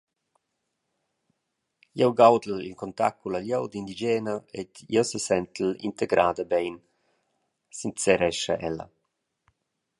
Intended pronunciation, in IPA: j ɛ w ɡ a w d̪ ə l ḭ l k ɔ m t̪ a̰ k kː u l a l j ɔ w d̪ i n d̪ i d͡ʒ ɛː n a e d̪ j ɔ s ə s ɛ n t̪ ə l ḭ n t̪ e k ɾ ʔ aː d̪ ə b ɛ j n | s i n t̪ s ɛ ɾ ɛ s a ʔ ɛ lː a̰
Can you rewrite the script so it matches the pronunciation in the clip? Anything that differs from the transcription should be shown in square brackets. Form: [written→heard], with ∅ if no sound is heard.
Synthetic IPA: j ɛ w ɡ a w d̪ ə l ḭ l k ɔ [m→n] t̪ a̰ k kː u l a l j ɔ w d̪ i n d̪ i d͡ʒ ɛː n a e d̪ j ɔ s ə s ɛ n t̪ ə l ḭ n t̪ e [k→ɡ] ɾ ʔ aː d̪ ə b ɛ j n | s i n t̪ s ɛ ɾ ɛ [s→ʃ] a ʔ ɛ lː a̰